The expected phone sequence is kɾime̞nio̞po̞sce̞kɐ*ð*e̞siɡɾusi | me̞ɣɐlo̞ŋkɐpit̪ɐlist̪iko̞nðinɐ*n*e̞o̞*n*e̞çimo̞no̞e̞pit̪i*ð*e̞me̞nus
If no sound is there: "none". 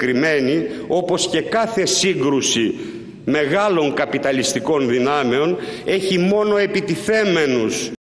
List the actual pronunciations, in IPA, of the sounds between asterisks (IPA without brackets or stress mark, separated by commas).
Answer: θ, m, n, θ